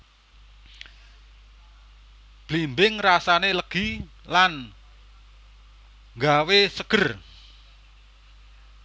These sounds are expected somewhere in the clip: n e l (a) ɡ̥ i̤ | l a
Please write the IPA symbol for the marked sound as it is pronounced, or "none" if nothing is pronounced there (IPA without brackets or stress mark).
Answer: ə